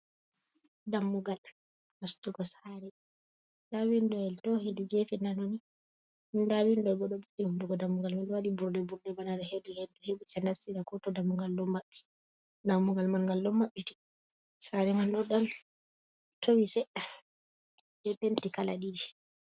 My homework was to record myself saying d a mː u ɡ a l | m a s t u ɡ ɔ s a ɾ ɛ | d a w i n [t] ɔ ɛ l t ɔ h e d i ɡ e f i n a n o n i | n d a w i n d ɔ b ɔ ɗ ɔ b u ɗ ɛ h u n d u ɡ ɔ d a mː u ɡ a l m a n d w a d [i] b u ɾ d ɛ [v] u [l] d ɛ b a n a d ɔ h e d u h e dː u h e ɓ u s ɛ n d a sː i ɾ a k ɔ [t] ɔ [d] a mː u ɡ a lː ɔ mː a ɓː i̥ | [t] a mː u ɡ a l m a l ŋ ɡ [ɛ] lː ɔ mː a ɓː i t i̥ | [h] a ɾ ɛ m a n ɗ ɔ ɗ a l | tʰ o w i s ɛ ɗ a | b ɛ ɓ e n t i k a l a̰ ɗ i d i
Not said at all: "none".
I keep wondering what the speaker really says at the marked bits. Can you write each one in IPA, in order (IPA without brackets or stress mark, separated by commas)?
d, i, b, ɾ, t, d, d, a, s